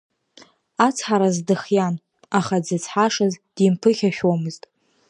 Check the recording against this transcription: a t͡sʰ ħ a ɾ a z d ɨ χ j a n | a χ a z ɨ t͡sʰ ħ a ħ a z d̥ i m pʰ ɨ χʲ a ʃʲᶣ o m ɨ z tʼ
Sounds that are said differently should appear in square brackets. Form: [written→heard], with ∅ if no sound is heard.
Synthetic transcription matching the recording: a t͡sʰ ħ a ɾ a z d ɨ χ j a n | a χ a [z→d͡z] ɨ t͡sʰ ħ a [ħ→ʂ] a z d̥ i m pʰ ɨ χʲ a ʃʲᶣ o m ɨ z tʼ

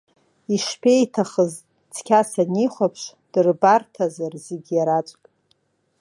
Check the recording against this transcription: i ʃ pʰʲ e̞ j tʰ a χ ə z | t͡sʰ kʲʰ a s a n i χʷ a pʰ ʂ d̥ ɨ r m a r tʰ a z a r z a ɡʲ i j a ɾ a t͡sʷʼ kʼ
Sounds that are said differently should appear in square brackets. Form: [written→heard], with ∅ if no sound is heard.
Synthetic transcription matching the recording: i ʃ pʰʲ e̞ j tʰ a χ ə z | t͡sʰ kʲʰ a s a n i χʷ a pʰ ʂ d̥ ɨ r [m→b] a r tʰ a z a r z [a→e] ɡʲ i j a ɾ a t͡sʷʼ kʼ

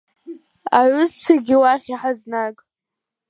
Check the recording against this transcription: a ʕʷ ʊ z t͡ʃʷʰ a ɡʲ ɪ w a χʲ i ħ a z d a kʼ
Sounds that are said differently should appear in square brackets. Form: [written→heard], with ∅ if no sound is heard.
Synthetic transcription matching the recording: a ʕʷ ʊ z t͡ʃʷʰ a ɡʲ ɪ w a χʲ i ħ a z [d→n] a kʼ

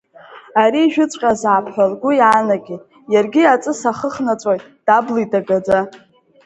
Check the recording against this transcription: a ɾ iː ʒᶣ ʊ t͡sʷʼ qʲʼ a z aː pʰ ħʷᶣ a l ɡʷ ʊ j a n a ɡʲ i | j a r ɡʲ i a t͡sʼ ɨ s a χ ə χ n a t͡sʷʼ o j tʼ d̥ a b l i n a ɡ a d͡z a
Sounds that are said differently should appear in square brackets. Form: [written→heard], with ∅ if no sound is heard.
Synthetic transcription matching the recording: a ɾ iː ʒᶣ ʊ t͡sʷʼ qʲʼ a z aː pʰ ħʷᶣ a l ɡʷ ʊ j a n a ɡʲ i | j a r ɡʲ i a t͡sʼ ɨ s a χ ə χ n a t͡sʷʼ o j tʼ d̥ a b l i [n→d] a ɡ a d͡z a

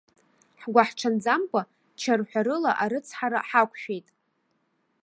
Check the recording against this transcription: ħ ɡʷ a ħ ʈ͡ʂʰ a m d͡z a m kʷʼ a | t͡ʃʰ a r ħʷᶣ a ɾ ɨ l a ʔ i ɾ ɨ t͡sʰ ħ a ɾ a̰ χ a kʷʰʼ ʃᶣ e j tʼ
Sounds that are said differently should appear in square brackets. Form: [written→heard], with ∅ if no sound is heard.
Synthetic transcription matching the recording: ħ ɡʷ a ħ ʈ͡ʂʰ a [m→n] d͡z a m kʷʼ a | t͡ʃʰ a r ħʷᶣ a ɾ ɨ l a ʔ [i→a] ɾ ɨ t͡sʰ ħ a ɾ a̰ [χ→ħ] a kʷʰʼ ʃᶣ e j tʼ

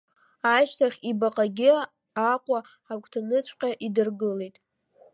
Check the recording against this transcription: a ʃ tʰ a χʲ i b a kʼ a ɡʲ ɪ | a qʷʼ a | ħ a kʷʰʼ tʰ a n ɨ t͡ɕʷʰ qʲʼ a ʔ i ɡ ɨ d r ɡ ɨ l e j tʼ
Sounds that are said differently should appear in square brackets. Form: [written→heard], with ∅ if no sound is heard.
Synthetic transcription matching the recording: a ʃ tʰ a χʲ i b a [kʼ→qʼ] a ɡʲ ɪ | a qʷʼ a | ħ a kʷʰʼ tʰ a n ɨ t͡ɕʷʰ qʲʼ a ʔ i [ɡ→d] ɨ [d→∅] r ɡ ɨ l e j tʼ

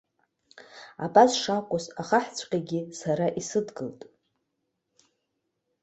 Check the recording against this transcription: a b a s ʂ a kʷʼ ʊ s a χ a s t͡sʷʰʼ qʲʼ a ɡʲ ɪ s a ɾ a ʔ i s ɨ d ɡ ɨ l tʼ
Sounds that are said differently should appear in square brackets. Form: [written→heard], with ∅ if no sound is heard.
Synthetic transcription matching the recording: a b a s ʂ a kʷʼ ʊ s a χ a [s→ħ] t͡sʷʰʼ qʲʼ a ɡʲ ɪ s a ɾ a ʔ i s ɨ d ɡ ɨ l tʼ

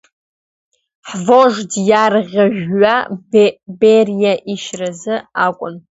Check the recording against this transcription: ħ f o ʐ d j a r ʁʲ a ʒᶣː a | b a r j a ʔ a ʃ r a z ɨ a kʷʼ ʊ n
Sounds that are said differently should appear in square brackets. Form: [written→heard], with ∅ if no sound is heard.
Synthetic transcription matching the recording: ħ [f→v] o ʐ d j a r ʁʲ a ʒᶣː a | b [a→e] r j a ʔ [a→i] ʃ r a z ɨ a kʷʼ ʊ n

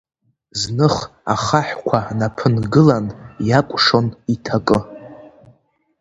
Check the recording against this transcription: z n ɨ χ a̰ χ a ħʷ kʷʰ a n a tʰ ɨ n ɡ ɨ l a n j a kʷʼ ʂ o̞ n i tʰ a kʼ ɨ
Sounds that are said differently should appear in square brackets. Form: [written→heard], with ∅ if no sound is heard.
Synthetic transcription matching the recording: z n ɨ χ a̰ χ a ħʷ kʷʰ a n a [tʰ→pʰ] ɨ n ɡ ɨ l a n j a kʷʼ ʂ o̞ n i tʰ a kʼ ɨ

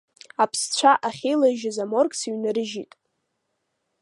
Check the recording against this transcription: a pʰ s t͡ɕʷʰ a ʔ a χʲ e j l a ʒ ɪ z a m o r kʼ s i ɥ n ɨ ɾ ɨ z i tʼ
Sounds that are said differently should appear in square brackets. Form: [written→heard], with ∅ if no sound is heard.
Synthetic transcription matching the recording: a pʰ s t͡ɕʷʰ a ʔ a χʲ e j l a ʒ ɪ z a m o r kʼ s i ɥ n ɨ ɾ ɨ [z→ʒ] i tʼ

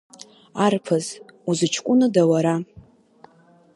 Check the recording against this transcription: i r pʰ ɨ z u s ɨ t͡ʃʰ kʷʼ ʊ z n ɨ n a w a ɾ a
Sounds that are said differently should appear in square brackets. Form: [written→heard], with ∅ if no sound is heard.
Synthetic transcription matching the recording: [i→a] r pʰ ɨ z u [s→z] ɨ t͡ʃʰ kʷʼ ʊ [z→∅] n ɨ [n→d] a w a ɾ a

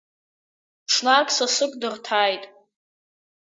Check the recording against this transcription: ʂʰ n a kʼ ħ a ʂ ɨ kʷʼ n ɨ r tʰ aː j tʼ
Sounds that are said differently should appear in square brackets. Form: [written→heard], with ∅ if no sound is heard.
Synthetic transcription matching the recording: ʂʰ n a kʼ [ħ→s] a [ʂ→s] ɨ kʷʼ [n→d] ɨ r tʰ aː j tʼ

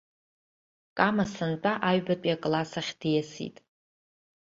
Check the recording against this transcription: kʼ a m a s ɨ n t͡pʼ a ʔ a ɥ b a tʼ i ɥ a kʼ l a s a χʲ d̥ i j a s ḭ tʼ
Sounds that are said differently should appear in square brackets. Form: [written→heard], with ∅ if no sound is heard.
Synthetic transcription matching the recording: kʼ a m a s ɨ n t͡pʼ a ʔ a ɥ b a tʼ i [ɥ→∅] a kʼ l a s a χʲ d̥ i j a s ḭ tʼ

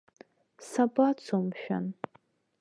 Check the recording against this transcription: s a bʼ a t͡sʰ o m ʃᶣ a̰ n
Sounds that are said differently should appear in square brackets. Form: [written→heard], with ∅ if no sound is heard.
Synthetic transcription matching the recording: s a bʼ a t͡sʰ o m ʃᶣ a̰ n

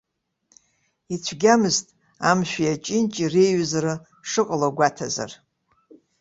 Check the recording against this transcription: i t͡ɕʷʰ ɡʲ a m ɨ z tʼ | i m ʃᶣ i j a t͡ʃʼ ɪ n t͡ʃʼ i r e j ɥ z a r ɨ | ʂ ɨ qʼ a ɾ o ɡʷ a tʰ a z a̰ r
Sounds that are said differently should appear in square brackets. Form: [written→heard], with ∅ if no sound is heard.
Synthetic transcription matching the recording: i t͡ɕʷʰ ɡʲ a m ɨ z tʼ | [i→a] m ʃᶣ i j a t͡ʃʼ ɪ n t͡ʃʼ i r e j ɥ z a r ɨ | ʂ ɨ qʼ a [ɾ→l] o ɡʷ a tʰ a z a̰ r

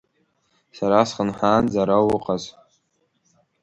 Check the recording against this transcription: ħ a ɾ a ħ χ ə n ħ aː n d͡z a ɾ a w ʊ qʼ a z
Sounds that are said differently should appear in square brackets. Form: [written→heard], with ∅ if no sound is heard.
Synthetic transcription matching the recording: [ħ→s] a ɾ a [ħ→s] χ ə n ħ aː n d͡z a ɾ a w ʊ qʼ a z

